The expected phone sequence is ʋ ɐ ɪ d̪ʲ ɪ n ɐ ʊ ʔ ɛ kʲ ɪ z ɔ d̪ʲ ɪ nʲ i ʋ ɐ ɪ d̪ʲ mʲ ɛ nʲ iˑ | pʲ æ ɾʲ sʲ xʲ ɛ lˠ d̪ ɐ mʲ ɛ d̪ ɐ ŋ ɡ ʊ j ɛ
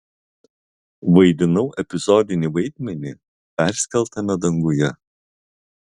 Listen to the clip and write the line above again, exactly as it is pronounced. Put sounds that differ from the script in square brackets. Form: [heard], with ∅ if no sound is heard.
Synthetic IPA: ʋ ɐ ɪ d̪ʲ ɪ n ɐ ʊ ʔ ɛ [pʲ] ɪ z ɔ d̪ʲ ɪ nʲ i ʋ ɐ ɪ d̪ʲ mʲ ɛ nʲ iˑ | pʲ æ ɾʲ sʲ [kʲ] ɛ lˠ [t̪] ɐ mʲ ɛ d̪ ɐ ŋ ɡ ʊ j ɛ